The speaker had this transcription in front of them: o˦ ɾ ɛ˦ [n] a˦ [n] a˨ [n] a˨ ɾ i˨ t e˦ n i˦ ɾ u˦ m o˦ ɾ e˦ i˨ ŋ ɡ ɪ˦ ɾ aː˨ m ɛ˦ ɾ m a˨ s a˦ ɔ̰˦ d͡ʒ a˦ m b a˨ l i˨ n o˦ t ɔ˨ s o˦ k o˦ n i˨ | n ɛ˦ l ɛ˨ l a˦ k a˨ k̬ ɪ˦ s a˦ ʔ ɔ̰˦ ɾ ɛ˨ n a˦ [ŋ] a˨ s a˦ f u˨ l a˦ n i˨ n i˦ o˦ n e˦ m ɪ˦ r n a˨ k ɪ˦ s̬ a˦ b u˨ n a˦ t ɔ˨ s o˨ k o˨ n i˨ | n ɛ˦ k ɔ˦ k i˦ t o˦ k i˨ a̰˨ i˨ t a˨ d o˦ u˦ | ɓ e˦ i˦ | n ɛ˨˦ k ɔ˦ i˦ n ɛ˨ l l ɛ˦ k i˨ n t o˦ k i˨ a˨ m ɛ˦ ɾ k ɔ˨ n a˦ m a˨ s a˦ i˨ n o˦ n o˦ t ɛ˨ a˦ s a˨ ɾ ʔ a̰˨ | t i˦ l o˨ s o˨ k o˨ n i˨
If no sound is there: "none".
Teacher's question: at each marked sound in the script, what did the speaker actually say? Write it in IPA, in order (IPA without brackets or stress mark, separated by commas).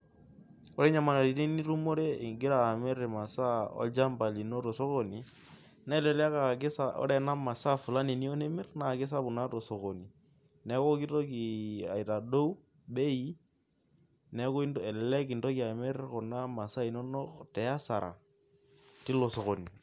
ɲ, m, n, m